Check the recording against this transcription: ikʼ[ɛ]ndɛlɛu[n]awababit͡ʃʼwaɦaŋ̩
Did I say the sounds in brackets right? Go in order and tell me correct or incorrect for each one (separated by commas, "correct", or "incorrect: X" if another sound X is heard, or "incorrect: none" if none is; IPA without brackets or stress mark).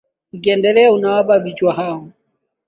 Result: correct, correct